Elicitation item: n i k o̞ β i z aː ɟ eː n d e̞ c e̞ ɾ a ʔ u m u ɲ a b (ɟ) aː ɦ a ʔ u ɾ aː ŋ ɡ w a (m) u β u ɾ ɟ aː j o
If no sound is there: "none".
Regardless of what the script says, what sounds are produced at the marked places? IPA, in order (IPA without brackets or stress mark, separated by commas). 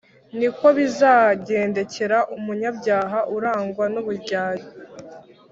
ɟ, n